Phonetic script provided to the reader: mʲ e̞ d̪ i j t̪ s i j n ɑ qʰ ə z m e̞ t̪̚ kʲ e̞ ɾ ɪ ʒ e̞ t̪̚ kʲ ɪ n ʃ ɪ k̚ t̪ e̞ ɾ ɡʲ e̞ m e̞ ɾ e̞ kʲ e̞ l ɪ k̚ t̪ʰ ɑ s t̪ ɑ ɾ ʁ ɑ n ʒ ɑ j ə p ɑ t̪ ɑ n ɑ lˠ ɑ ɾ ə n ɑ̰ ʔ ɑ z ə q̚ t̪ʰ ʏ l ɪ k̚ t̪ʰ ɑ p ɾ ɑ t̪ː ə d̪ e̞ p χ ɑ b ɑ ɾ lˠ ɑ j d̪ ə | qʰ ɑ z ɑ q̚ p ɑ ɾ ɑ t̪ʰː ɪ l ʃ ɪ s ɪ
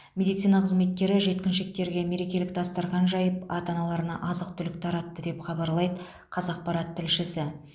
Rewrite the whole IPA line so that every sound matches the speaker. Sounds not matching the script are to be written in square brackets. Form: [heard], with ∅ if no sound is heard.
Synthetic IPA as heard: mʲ e̞ d̪ i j t̪ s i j n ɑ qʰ ə z m e̞ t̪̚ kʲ e̞ ɾ ɪ ʒ e̞ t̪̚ kʲ ɪ n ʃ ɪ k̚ t̪ e̞ ɾ ɡʲ e̞ m e̞ ɾ e̞ kʲ e̞ l ɪ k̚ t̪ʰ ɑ s t̪ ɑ ɾ ʁ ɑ n ʒ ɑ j ə p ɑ t̪ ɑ n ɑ lˠ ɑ ɾ ə n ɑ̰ ʔ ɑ z ə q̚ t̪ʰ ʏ l ɪ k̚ t̪ʰ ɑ [∅] ɾ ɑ t̪ː ə d̪ e̞ p χ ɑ b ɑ ɾ lˠ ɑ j d̪ ə | qʰ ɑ z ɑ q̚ p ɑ ɾ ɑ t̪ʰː ɪ l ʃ ɪ s ɪ